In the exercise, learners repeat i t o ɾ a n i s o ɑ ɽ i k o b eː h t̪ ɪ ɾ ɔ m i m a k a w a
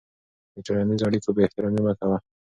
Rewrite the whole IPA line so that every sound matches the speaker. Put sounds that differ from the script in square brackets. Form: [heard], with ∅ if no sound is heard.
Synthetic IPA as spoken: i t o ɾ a n i [z] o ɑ ɽ i k o b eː h t̪ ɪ ɾ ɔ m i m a k a w a